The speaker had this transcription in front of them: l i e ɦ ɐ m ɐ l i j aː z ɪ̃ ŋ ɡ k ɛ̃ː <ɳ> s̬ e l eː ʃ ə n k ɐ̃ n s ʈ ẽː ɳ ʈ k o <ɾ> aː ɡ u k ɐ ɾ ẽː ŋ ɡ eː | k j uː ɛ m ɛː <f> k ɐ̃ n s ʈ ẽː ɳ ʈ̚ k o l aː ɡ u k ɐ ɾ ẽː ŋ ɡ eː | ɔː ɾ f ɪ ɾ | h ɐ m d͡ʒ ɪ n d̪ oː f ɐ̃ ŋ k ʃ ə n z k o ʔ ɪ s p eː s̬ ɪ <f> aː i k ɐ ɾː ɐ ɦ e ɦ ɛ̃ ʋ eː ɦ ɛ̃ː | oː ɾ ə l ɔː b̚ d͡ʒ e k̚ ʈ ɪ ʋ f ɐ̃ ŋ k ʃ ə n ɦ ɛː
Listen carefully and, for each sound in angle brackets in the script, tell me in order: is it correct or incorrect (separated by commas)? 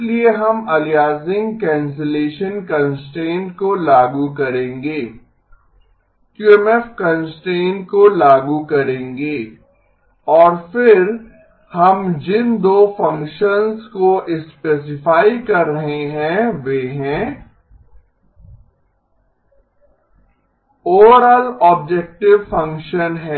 incorrect, incorrect, correct, correct